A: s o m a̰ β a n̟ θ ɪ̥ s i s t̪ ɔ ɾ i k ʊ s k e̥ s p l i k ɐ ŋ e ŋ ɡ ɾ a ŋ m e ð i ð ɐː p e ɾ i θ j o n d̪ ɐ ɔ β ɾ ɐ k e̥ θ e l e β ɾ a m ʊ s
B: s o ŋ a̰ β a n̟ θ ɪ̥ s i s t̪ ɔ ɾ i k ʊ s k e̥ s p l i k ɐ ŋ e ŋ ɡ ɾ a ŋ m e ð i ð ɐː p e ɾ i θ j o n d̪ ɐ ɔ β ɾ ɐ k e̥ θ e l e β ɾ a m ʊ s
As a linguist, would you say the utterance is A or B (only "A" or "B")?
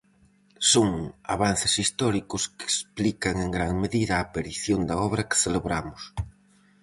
B